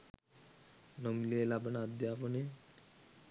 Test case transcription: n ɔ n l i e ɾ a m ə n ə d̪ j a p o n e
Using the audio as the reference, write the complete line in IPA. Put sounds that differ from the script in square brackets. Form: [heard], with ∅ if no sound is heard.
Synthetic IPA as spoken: n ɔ [m] l i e [l] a [b] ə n [a] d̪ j a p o n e